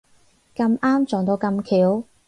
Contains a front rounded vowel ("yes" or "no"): no